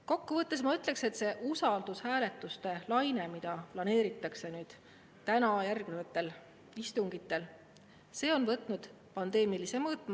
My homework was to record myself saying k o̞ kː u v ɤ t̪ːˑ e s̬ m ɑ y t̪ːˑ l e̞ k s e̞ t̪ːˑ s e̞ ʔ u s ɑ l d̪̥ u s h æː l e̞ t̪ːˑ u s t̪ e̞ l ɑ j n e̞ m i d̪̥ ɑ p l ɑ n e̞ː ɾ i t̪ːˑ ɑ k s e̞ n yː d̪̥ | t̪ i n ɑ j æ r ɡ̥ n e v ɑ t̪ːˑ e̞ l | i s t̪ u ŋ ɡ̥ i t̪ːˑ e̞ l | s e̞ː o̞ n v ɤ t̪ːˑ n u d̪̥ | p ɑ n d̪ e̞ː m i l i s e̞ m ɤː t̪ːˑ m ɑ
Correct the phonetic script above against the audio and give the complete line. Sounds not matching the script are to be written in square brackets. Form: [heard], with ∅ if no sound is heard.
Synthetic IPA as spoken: k o̞ kː u v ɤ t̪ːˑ e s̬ m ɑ y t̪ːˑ l e̞ k s e̞ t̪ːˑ s e̞ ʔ u s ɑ l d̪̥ u s h æː l e̞ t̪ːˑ u s t̪ e̞ l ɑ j n e̞ m i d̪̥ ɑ p l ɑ n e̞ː ɾ i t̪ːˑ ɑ k s e̞ n yː d̪̥ | t̪ [æ] n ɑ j æ r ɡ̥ n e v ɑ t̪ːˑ e̞ l | i s t̪ u ŋ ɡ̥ i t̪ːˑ e̞ l | s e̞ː o̞ n v ɤ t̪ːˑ n u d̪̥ | p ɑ n d̪ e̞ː m i l i s e̞ m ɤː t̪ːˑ m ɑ

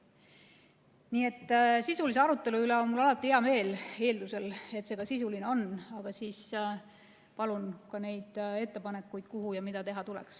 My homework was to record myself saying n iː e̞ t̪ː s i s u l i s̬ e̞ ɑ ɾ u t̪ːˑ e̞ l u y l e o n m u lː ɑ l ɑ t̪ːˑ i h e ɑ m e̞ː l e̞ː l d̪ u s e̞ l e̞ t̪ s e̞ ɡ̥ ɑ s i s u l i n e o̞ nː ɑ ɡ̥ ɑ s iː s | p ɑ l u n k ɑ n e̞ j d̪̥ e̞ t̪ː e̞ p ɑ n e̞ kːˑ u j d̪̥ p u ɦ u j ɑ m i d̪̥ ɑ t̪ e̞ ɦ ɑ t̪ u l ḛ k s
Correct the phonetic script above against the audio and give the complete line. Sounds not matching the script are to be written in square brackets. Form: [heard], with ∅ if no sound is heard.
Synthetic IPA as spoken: n iː e̞ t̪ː s i s u l i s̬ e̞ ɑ ɾ u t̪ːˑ e̞ l u y l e o n m u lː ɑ l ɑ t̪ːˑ i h e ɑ m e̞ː l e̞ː l d̪ u s e̞ l e̞ t̪ s e̞ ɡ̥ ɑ s i s u l i n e o̞ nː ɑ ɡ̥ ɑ s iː s | p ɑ l u n k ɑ n e̞ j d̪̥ e̞ t̪ː e̞ p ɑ n e̞ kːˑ u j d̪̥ [k] u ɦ u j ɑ m i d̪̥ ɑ t̪ e̞ ɦ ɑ t̪ u l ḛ k s

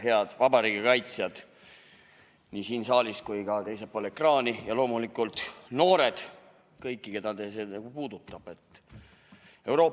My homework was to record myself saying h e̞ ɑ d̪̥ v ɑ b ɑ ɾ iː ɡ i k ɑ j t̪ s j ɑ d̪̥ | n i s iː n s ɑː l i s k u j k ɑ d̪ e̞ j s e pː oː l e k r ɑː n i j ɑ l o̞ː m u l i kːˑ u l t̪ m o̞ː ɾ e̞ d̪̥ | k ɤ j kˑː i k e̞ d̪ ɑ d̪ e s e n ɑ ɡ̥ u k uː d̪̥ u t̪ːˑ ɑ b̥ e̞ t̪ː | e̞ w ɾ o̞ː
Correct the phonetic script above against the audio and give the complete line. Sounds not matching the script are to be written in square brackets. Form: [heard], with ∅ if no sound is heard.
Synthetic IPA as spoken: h e̞ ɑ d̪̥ v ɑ b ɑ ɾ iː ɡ i k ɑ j t̪ s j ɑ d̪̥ | n i s iː n s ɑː l i s k u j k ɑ [t̪] e̞ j s e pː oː l e k r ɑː n i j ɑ l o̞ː m u l i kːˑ u l t̪ [n] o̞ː ɾ e̞ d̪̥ | k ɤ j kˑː i k e̞ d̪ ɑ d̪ e s e n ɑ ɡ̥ u [p] uː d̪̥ u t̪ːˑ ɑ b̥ e̞ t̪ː | e̞ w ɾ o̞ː

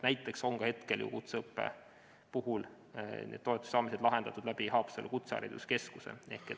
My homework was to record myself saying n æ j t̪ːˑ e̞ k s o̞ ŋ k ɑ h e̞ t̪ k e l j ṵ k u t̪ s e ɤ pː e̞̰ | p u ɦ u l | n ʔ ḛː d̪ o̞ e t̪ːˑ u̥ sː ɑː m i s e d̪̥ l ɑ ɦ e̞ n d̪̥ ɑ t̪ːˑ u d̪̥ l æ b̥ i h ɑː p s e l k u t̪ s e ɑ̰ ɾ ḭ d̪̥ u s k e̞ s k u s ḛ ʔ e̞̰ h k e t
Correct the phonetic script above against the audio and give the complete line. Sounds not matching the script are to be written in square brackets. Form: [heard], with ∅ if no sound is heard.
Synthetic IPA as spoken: n æ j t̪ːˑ e̞ k s o̞ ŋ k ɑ h e̞ t̪ k e l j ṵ k u t̪ s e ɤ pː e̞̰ | p u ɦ u l | n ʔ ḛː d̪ o̞ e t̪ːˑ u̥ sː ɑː m i s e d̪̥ l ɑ ɦ e̞ n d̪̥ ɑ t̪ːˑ u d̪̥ l æ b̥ i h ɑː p s e l k u t̪ s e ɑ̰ ɾ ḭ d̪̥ u s k e̞ s k u s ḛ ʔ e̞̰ h k e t

